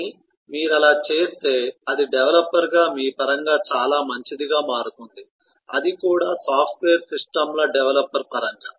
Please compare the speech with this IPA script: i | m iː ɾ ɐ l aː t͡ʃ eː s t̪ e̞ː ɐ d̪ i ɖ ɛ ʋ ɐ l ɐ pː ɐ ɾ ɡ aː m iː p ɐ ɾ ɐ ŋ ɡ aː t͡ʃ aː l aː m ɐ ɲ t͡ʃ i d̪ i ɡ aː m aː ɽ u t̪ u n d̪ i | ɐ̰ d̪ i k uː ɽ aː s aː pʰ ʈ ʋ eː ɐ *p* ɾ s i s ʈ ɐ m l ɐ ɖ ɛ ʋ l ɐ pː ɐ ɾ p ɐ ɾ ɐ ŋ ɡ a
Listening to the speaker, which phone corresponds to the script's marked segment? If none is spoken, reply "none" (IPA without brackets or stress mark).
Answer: none